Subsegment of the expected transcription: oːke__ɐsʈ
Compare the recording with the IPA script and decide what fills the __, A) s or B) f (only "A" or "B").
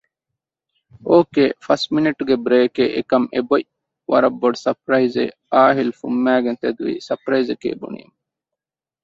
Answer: B